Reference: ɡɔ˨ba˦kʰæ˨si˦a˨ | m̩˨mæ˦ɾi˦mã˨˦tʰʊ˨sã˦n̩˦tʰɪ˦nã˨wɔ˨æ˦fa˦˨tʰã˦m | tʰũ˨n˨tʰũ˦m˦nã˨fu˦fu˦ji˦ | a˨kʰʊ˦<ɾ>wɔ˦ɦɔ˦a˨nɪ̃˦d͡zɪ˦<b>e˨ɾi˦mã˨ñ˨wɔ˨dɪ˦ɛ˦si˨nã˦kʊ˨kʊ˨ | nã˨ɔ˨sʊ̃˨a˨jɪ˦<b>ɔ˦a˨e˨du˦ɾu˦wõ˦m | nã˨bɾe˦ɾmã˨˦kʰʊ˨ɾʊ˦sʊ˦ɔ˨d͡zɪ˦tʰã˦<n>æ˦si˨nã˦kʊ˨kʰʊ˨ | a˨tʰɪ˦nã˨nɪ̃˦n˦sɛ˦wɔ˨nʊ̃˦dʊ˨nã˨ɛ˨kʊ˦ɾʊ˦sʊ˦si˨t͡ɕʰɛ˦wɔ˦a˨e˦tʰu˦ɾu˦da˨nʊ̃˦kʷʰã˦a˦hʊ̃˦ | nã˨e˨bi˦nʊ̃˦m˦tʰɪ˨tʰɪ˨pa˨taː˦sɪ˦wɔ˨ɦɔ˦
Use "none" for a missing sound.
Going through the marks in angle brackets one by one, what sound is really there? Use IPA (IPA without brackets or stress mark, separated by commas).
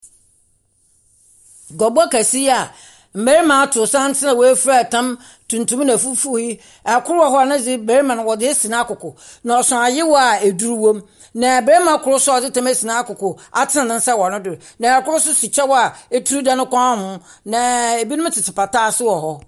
ɾ, b, w, m